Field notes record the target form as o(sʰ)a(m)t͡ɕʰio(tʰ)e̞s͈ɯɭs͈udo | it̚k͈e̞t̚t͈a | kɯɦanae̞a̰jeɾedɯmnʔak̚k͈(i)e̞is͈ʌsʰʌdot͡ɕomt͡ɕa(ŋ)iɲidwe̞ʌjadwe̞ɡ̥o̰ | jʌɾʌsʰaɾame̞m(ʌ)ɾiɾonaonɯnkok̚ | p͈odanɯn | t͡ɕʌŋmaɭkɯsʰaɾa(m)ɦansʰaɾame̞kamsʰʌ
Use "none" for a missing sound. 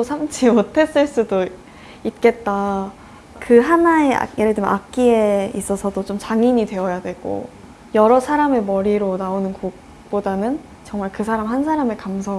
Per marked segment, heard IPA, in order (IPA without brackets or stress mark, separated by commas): sʰ, m, tʰ, i, ŋ, ʌ, m